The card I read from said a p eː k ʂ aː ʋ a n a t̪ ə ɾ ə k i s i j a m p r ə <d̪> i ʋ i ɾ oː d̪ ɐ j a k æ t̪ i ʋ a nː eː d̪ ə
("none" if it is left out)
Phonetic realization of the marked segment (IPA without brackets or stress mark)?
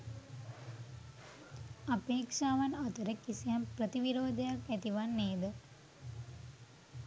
t̪